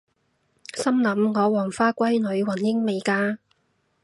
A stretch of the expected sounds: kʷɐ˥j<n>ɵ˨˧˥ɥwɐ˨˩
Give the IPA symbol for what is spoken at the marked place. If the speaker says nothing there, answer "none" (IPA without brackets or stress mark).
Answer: n